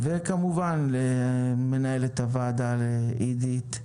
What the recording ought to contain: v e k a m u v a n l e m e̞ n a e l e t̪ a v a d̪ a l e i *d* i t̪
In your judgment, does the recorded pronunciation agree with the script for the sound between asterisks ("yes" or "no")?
yes